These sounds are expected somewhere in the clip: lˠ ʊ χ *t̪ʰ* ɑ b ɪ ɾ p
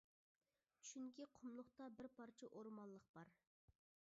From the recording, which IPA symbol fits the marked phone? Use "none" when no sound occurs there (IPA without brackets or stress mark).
t̪